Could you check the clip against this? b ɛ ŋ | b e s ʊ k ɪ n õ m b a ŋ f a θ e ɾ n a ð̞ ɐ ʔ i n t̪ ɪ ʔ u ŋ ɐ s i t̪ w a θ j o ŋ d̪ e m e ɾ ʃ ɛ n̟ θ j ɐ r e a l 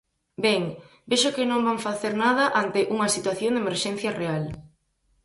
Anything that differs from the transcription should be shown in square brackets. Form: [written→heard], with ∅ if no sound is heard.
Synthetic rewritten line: b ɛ ŋ | b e [s→ʃ] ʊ k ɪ n õ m b a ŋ f a θ e ɾ n a ð̞ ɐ ʔ [i→a] n t̪ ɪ ʔ u ŋ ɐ s i t̪ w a θ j o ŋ d̪ e m e ɾ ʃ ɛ n̟ θ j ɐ r e a l